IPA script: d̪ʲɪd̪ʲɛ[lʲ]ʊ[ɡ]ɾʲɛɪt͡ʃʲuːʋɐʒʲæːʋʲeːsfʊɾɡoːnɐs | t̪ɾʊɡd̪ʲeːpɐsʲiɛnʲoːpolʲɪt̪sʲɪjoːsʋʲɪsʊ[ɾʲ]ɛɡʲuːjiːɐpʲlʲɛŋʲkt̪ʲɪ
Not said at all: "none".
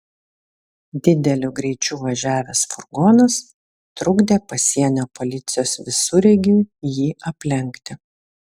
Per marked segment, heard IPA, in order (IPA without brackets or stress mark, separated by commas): lʲ, ɡ, ɾʲ